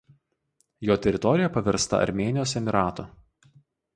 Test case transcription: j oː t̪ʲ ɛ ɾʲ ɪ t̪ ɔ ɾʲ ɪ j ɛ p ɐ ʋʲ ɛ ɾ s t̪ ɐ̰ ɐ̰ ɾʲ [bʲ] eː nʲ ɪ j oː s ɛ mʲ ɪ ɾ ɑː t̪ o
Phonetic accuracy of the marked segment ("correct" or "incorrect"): incorrect